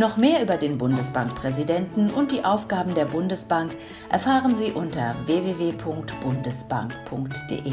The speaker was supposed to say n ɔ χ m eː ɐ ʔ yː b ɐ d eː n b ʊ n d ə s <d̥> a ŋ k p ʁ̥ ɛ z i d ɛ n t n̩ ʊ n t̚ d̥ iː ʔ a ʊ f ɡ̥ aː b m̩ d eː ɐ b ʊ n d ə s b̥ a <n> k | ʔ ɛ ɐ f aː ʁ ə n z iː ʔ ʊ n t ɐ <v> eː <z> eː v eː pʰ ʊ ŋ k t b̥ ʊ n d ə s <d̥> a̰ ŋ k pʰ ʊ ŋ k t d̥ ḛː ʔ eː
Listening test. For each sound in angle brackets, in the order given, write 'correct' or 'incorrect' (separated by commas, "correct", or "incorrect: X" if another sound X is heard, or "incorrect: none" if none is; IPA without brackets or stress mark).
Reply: incorrect: b̥, incorrect: ŋ, correct, incorrect: v, incorrect: b̥